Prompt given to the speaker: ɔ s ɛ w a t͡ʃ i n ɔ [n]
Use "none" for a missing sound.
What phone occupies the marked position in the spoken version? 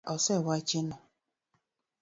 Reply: none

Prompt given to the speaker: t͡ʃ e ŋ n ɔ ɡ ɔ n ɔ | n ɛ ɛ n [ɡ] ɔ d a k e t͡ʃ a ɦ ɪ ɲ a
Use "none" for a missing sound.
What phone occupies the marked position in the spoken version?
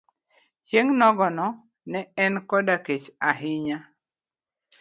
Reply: k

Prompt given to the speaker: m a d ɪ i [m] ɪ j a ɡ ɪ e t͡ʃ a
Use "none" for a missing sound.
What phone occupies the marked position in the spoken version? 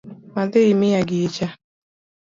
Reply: m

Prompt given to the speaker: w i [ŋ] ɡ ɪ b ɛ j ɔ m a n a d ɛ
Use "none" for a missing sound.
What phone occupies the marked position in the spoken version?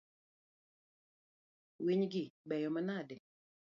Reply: ɲ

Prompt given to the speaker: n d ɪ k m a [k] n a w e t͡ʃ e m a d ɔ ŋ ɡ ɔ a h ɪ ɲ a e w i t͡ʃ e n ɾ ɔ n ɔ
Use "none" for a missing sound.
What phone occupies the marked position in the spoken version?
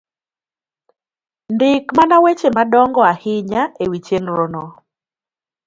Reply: none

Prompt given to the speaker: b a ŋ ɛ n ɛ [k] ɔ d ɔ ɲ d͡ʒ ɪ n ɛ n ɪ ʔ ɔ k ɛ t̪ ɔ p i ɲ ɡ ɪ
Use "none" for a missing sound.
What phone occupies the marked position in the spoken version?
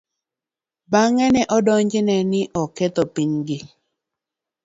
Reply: ʔ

